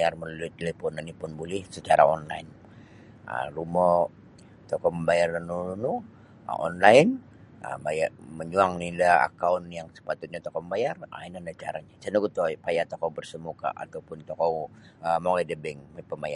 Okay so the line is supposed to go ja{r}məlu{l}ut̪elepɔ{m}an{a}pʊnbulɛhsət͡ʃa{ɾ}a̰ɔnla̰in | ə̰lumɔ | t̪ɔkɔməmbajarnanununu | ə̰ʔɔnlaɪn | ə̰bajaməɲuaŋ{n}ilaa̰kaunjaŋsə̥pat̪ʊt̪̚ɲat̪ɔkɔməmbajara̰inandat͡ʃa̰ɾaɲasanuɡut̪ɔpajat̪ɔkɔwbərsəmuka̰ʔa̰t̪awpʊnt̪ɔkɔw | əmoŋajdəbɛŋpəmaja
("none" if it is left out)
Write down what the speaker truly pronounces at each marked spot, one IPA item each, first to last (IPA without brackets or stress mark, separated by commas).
r, l, n, i, ɾ, n